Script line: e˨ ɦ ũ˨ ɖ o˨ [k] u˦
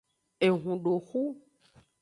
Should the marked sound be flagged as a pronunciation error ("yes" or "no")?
yes